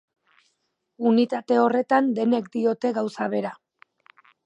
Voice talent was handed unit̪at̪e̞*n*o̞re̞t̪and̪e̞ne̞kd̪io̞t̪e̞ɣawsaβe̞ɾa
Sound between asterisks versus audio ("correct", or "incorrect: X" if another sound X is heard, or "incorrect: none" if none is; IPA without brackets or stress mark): incorrect: none